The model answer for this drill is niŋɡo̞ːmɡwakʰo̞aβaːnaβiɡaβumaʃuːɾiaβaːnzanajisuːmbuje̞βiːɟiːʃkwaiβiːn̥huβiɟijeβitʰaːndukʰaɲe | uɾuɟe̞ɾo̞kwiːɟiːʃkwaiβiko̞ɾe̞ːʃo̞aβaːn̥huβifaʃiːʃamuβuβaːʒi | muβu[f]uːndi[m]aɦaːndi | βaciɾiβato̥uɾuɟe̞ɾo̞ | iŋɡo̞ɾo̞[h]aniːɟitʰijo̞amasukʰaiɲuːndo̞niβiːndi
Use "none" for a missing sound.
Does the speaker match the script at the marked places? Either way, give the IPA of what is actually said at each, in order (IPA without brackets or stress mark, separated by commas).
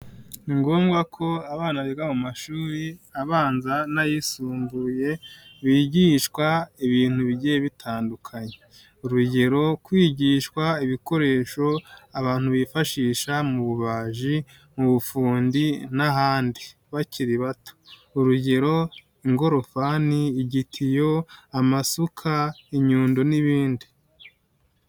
f, n, f